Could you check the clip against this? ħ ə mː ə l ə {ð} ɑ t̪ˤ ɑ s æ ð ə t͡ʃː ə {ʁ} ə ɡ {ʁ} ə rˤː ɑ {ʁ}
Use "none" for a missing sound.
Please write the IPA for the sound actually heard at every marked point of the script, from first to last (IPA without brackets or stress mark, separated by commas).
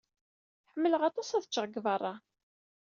ʁ, ʁ, v, none